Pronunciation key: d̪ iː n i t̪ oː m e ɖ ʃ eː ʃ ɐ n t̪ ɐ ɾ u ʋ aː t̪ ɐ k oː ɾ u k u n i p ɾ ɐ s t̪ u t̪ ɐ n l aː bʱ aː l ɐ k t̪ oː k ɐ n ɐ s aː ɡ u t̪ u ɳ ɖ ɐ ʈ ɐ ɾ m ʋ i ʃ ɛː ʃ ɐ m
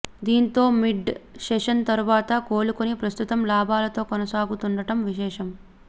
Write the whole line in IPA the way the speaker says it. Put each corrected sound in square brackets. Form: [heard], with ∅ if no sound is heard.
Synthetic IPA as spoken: d̪ iː n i t̪ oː m [i] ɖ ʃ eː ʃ ɐ n t̪ ɐ ɾ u ʋ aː t̪ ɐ k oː [l] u k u n i p ɾ ɐ s t̪ u t̪ ɐ [m] l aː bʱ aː l ɐ [∅] t̪ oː k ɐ n ɐ s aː ɡ u t̪ u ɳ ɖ ɐ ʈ ɐ [∅] m ʋ i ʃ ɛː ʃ ɐ m